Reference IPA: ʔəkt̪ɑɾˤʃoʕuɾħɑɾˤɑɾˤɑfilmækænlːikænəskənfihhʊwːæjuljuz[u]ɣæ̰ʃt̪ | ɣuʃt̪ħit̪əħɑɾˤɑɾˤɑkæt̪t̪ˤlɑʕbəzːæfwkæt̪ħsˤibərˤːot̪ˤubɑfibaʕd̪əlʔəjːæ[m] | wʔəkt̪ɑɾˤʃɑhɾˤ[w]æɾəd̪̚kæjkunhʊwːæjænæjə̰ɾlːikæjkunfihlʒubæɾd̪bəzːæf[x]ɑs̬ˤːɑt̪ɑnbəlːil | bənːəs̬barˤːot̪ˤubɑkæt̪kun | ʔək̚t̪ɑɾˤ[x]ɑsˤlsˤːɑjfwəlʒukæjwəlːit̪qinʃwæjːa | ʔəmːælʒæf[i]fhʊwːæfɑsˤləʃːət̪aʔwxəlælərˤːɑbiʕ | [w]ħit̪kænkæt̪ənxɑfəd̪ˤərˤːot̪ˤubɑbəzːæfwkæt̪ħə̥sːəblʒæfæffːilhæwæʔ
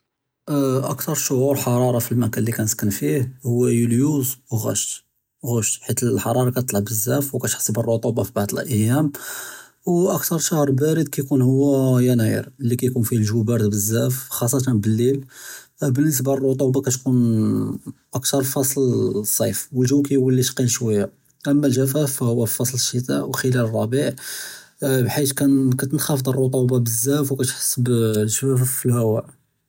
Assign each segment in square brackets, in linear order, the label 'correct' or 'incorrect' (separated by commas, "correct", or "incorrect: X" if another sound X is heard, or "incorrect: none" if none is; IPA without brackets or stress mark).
incorrect: w, correct, incorrect: b, correct, incorrect: f, incorrect: æ, incorrect: b